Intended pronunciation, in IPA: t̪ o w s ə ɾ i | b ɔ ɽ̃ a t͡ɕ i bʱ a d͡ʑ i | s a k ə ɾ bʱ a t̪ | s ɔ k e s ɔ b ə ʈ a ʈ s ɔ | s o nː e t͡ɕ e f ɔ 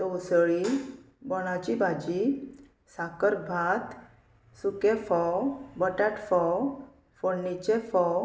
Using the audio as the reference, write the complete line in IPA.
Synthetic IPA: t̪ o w s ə ɭ i | b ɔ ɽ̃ a t͡ɕ i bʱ a d͡ʑ i | s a k ə ɾ bʱ a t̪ | s u k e f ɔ b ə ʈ a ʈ f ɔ | f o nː i t͡ɕ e f ɔ

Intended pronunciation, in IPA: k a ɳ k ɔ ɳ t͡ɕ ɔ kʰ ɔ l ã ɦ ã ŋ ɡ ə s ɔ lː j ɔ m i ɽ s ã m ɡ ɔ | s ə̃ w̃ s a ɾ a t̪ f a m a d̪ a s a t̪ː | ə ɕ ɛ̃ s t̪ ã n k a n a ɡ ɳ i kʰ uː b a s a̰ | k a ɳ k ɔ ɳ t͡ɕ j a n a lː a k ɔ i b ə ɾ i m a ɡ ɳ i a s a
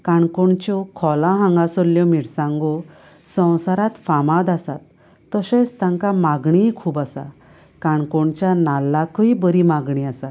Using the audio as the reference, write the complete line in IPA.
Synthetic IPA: k a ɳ k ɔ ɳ t͡ɕ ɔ kʰ ɔ l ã ɦ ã ŋ ɡ a s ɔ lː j ɔ m i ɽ s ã ŋ ɡ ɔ | s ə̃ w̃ s a ɾ a t̪ f a m a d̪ a s a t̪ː | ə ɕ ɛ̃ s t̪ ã ŋ k a m a ɡ ɳ i kʰ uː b a s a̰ | k a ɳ k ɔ ɳ t͡ɕ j a n a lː a k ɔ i b ə ɾ i m a ɡ ɳ i a s a

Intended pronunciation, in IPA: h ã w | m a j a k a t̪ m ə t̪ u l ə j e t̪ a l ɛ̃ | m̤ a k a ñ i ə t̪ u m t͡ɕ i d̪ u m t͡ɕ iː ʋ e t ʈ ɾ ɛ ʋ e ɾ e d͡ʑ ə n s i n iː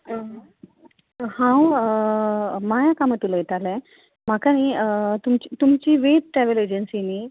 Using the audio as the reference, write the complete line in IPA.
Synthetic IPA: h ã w | m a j a k a m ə t̪ u l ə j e t̪ a l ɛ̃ | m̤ a k a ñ i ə t̪ u m t͡ɕ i t̪ u m t͡ɕ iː ʋ e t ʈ ɾ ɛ ʋ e l e d͡ʑ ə n s i n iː

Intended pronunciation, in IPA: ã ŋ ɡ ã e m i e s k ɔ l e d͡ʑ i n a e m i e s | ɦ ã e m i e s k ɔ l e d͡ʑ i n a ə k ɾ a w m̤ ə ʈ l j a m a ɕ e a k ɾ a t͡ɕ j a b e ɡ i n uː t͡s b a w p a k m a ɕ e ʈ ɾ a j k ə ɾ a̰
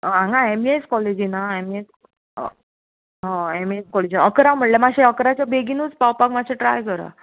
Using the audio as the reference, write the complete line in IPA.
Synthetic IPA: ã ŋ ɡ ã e m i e s k ɔ l e d͡ʑ i n a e m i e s | ɦ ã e m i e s k ɔ l e d͡ʑ i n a ə k ɾ a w m̤ ə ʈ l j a m a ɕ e ə k ɾ a t͡ɕ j a b e ɡ i n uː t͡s p a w p a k m a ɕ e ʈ ɾ a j k ə ɾ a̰

